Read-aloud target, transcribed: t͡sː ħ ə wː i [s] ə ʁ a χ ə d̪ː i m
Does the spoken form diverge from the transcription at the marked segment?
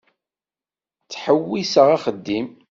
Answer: no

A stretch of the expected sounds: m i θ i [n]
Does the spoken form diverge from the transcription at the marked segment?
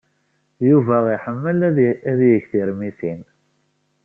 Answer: no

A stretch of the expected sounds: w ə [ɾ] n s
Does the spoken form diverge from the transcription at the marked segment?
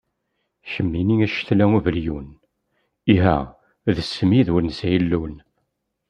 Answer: no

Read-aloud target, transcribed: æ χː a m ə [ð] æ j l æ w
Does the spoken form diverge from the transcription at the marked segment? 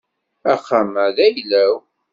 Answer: no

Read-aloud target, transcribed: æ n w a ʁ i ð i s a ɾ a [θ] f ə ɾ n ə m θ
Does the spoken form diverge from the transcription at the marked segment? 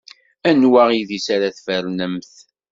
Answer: no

